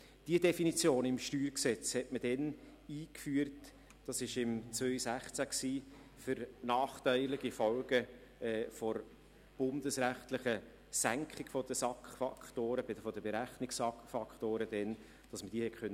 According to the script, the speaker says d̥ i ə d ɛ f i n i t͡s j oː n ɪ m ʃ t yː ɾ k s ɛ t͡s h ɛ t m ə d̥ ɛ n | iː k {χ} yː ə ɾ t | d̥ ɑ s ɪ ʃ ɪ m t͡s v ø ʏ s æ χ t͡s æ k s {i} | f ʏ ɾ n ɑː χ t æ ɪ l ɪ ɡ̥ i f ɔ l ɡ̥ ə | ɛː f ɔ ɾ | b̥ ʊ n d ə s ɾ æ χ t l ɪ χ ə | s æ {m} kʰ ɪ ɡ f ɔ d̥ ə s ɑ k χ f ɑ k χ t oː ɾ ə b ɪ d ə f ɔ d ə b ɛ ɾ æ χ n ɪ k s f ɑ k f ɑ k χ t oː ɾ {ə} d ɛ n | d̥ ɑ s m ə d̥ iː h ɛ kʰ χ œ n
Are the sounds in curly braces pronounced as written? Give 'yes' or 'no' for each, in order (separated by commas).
no, no, no, yes